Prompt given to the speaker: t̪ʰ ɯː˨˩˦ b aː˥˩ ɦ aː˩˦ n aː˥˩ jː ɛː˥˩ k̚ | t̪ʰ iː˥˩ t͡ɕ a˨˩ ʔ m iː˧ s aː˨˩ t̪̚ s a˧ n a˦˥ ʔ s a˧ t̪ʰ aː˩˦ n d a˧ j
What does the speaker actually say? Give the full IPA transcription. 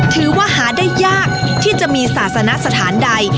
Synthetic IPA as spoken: t̪ʰ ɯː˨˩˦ w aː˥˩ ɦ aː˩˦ d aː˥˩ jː aː˥˩ k̚ | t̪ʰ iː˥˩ t͡ɕ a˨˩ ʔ m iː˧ s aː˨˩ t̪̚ s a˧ n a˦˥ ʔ s a˧ t̪ʰ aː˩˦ n d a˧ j

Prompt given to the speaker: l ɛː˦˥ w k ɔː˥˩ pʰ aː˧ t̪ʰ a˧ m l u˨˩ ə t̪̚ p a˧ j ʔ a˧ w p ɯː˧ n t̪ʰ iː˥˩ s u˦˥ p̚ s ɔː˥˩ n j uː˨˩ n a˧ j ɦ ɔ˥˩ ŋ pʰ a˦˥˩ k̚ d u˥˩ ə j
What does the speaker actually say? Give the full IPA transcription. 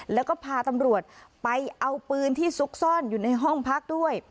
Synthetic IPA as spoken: l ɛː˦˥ w k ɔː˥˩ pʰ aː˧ t̪ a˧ m ɾ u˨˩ ə t̪̚ p a˧ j ʔ a˧ w p ɯː˧ n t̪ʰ iː˥˩ s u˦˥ k̚ s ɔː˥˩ n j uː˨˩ n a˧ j ɦ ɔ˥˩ ŋ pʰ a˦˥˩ k̚ d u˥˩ ə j

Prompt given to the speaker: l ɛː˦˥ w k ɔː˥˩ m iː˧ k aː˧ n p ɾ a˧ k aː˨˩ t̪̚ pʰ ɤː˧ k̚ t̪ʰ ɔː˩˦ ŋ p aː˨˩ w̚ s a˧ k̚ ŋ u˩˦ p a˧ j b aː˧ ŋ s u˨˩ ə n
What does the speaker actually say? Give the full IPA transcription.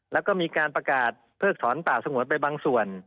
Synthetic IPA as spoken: l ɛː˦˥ w k ɔː˥˩ m iː˧ k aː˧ n p ɾ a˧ k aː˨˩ t̪̚ pʰ ɤː˥˩ k̚ t̪ʰ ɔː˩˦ n p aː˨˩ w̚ s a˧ ŋ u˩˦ p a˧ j b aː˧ ŋ s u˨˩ ə n

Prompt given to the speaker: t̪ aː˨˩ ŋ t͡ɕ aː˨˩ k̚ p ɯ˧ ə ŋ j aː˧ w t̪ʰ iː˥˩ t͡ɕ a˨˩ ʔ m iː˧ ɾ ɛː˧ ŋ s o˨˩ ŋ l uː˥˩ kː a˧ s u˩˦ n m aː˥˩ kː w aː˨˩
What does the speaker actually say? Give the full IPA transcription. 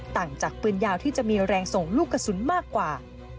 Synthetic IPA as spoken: t̪ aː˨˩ ŋ t͡ɕ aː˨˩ k̚ p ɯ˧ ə n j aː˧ w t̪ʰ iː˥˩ t͡ɕ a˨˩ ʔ m iː˧ ɾ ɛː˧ ŋ s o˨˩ ŋ l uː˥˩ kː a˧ s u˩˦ n m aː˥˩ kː w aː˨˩

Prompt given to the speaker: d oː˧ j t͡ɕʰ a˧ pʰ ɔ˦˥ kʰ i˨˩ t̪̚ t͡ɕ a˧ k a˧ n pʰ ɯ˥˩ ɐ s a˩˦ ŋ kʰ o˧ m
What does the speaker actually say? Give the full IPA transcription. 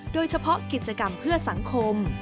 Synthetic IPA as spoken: d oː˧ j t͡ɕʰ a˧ pʰ ɔ˦˥ k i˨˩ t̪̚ t͡ɕ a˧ k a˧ m pʰ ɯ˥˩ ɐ s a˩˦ ŋ kʰ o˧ m

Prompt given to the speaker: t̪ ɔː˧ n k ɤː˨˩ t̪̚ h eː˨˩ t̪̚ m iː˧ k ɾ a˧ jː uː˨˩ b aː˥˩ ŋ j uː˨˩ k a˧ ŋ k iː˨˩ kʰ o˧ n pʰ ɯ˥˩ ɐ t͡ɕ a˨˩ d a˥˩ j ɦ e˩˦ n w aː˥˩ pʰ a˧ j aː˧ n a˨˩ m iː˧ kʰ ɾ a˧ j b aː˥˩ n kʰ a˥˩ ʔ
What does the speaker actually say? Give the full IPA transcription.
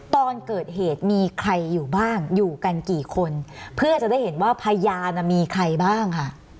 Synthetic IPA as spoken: t̪ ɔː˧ n k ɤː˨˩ t̪̚ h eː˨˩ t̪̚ m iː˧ kʰ ɾ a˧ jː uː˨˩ b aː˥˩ ŋ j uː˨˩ k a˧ n k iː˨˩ kʰ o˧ n pʰ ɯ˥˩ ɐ t͡ɕ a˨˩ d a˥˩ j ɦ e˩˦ n w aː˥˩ pʰ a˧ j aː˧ n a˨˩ m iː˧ kʰ ɾ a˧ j b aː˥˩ ŋ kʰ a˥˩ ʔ

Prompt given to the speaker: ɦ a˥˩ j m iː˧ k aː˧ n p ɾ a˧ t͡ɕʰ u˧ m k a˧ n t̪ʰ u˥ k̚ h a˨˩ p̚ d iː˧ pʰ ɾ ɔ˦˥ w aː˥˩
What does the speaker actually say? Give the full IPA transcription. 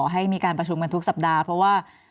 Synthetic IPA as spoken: ɦ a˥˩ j m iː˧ k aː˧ n p ɾ a˧ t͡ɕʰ u˧ m k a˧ n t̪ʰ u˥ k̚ s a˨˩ p̚ d aː˧ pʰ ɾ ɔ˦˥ w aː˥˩

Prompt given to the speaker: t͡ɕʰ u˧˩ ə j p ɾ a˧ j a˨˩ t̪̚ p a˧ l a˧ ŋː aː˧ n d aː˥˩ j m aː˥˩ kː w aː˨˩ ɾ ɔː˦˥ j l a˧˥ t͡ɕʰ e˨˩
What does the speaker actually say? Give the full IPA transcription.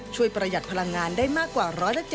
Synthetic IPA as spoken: t͡ɕʰ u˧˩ ə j p ɾ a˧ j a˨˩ t̪̚ pʰ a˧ l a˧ ŋː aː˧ n d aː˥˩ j m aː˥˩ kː w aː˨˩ ɾ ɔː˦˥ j l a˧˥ t͡ɕ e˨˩

